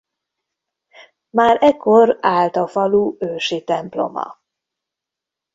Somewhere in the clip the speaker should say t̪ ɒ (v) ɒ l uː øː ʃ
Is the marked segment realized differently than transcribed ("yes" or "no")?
yes